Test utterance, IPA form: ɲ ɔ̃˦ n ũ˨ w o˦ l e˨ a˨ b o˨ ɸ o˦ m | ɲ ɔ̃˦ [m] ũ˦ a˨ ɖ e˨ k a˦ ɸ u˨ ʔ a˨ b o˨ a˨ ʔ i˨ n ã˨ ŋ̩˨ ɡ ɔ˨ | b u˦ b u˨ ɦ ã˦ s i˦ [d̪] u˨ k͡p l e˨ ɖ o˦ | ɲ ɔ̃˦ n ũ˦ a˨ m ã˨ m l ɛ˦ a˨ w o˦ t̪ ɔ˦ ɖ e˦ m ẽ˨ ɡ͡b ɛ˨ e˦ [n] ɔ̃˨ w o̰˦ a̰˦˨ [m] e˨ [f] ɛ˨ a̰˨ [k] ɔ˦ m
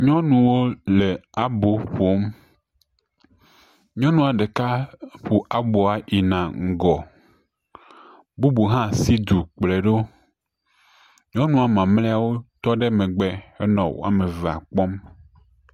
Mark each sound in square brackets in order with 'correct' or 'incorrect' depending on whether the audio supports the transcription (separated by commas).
incorrect, correct, correct, correct, incorrect, incorrect